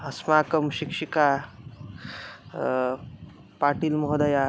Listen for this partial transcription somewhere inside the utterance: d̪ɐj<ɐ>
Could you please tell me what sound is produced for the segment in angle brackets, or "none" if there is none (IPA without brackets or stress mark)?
a